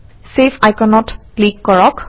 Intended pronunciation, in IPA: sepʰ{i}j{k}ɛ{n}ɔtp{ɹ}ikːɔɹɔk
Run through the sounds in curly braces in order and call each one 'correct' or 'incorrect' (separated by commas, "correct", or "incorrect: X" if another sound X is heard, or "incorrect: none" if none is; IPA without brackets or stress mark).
incorrect: a, correct, correct, incorrect: l